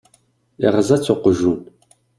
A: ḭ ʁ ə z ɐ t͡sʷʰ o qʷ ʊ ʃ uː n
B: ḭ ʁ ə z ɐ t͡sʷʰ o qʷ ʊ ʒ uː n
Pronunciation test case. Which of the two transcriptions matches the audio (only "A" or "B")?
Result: B